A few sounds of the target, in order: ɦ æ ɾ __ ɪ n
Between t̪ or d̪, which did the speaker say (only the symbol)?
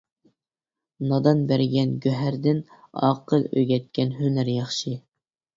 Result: d̪